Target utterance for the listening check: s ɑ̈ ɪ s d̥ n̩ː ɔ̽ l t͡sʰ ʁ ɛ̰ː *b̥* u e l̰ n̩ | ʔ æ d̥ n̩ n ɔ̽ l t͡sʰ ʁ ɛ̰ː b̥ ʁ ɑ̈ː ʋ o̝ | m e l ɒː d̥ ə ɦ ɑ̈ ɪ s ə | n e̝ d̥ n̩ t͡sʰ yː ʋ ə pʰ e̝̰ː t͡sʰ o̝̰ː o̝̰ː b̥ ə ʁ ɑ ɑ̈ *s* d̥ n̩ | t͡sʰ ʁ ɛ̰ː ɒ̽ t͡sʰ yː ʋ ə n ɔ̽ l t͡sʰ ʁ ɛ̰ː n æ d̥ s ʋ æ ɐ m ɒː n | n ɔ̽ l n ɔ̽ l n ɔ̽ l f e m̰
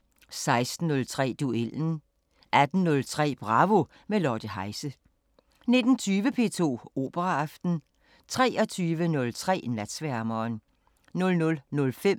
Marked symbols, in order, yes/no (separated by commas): no, no